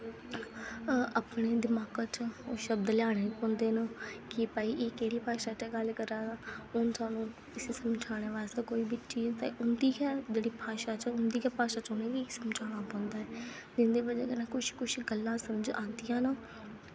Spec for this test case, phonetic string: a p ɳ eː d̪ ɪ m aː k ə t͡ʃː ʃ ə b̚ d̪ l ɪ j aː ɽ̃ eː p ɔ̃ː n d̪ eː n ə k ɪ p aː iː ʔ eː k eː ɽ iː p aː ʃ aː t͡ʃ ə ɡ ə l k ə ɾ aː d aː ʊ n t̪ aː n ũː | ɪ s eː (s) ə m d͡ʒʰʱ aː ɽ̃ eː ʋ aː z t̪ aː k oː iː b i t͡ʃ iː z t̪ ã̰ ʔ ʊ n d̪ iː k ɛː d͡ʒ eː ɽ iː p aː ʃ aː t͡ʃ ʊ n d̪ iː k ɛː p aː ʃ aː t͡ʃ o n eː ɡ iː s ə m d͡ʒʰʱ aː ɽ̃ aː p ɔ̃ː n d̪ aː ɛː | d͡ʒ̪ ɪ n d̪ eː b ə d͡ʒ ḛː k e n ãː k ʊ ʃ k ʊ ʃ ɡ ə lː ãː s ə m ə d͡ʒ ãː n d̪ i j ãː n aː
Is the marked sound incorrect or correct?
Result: correct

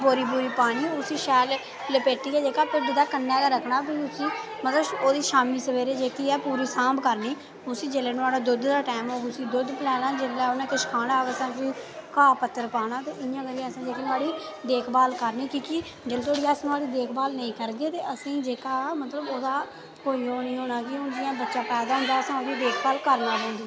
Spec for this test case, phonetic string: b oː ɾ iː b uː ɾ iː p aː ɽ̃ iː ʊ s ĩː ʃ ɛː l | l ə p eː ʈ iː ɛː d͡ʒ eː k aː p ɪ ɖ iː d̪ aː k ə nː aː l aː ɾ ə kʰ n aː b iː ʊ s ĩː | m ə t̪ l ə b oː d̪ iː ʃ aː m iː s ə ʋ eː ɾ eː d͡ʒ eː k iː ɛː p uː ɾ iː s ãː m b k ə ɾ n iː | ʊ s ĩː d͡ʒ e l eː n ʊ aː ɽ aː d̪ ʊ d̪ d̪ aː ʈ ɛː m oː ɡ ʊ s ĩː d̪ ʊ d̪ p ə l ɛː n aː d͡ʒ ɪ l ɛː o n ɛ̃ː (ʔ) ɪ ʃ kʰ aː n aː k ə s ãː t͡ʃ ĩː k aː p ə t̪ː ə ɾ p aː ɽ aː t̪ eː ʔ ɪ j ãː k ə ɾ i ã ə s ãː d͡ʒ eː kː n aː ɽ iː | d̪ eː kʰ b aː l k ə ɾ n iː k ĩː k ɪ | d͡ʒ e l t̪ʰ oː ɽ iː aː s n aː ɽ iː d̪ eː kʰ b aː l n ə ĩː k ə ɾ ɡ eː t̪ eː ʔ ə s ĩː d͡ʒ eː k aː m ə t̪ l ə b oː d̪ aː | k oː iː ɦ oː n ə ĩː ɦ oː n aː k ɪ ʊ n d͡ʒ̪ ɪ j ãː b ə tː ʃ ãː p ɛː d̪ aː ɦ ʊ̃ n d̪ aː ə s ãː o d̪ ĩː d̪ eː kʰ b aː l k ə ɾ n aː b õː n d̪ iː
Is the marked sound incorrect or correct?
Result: incorrect: k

